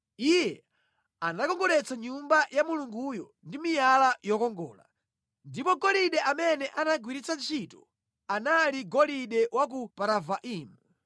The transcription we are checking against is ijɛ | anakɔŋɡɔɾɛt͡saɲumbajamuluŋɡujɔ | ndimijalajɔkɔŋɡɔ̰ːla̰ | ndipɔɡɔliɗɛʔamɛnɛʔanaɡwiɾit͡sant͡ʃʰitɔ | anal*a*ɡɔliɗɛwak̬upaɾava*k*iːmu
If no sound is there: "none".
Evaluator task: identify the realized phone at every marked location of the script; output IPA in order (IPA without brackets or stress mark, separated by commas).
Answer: i, ʔ